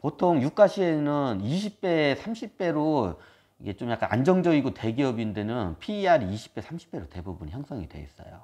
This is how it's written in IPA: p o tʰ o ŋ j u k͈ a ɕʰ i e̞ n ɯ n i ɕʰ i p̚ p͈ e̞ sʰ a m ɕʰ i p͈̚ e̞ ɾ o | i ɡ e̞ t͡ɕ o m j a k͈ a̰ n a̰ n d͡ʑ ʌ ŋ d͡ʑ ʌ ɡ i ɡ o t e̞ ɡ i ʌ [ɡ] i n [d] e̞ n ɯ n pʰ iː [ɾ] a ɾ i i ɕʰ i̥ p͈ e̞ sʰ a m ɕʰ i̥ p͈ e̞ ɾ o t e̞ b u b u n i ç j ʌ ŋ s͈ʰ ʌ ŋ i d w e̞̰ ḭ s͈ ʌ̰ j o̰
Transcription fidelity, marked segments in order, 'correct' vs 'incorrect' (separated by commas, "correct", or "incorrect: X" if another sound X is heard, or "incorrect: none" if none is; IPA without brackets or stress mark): incorrect: b, correct, incorrect: none